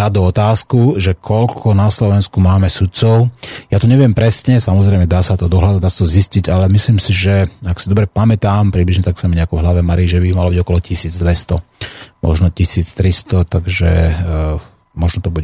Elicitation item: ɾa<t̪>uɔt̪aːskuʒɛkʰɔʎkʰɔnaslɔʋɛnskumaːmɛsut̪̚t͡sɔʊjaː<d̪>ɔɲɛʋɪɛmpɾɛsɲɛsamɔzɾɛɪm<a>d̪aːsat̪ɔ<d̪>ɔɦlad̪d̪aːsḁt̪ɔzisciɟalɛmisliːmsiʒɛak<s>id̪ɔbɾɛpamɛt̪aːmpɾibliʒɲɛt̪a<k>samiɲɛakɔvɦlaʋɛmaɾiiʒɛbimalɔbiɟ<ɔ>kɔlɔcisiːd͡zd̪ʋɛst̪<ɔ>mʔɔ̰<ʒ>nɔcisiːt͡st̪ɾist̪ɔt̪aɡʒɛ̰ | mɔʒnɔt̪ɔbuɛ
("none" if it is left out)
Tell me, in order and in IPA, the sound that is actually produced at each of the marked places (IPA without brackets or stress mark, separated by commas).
d̪, t̪, ɛ, d̪, s, k, ɔ, ɔ, ʒ